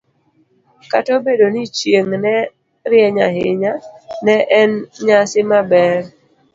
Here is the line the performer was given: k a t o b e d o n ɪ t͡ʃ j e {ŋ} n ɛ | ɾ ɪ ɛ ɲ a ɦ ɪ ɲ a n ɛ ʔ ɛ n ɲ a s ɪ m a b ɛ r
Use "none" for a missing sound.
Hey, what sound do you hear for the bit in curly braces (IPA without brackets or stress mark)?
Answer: ŋ